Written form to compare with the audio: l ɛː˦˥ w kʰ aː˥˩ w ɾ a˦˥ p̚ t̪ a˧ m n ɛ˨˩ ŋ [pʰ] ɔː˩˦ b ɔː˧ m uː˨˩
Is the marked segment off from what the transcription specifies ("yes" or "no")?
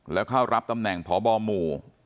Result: no